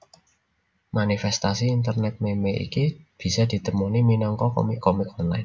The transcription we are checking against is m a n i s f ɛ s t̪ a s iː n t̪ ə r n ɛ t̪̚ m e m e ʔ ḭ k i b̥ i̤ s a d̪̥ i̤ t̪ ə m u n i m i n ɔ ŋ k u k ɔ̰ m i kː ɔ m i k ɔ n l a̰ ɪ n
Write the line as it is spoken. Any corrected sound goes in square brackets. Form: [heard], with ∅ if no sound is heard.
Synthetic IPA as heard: m a n i [∅] f ɛ s t̪ a s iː n t̪ ə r n ɛ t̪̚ m e m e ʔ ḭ k i b̥ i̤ s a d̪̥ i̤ t̪ ə m u n i m i n ɔ ŋ k [ɔ] k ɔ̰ m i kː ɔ m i k ɔ n l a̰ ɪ n